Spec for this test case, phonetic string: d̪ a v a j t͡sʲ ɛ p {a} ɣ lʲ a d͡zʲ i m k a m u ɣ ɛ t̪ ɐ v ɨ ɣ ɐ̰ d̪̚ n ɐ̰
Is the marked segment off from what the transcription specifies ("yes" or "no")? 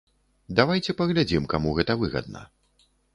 yes